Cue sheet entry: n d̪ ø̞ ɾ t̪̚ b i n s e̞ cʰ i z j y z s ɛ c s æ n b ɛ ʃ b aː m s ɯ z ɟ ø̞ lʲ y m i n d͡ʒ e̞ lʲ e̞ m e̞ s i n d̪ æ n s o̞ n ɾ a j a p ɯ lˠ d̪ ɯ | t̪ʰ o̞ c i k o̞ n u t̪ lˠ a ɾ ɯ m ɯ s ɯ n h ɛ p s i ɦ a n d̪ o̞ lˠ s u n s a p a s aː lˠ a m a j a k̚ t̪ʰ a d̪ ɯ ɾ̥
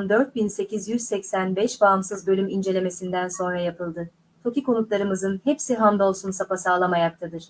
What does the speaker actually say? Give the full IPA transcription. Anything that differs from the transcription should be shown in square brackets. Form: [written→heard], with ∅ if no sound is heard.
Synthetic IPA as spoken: n d̪ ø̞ ɾ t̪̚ b i n s e̞ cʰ i z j y z s ɛ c s æ n b ɛ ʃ b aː m s ɯ z [ɟ→b] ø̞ lʲ y m i n d͡ʒ e̞ lʲ e̞ m e̞ s i n d̪ æ n s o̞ n ɾ a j a p ɯ lˠ d̪ ɯ | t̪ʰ o̞ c i k o̞ n u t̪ lˠ a ɾ ɯ m ɯ [s→z] ɯ n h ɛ p s i ɦ a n d̪ o̞ lˠ s u n s a p a s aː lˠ a m a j a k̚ t̪ʰ a d̪ ɯ ɾ̥